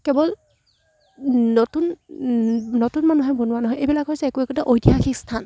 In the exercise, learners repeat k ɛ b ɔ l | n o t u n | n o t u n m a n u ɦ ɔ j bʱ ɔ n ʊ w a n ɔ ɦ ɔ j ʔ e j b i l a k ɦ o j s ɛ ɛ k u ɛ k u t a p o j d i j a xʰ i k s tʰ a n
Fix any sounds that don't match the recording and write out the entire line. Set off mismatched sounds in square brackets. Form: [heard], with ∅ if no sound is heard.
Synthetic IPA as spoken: k ɛ b ɔ l | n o t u n | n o t u n m a n u ɦ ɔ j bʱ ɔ n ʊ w a n ɔ ɦ ɔ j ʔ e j b i l a k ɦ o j s ɛ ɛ k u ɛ k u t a [ʔ] o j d i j a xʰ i k s tʰ a n